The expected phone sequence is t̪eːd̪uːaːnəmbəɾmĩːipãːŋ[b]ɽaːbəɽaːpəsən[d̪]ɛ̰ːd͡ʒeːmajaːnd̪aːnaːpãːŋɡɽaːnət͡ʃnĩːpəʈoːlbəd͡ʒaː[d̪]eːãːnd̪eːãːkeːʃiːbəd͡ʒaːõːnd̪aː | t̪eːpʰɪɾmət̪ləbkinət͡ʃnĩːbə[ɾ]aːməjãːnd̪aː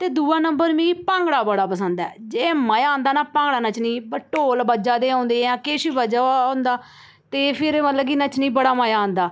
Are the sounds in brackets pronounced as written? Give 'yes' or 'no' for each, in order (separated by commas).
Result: no, yes, yes, no